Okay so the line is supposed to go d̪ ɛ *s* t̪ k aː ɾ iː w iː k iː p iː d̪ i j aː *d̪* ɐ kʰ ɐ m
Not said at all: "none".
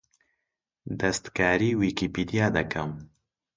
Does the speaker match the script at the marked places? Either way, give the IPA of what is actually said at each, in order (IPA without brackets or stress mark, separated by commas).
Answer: s, d̪